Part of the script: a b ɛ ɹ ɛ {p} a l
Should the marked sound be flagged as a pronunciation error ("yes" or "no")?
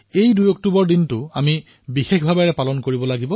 no